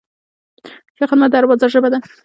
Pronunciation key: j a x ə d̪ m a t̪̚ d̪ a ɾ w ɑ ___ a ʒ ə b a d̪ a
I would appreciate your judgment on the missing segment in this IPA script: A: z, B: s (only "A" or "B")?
A